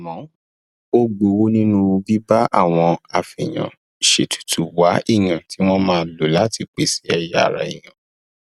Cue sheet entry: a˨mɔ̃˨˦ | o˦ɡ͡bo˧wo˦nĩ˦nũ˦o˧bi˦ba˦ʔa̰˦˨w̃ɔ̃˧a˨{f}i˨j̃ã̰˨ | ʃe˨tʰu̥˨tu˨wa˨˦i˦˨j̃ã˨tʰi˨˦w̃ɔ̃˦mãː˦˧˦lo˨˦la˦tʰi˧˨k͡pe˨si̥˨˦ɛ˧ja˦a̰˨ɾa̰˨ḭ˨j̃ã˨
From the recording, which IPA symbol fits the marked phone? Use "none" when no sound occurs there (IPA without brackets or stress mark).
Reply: f